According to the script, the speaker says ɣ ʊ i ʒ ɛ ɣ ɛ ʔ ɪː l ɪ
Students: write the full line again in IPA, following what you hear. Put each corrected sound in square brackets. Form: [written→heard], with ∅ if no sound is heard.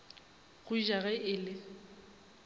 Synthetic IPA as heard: ɣ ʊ i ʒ [ɛ→a] ɣ ɛ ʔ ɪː l ɪ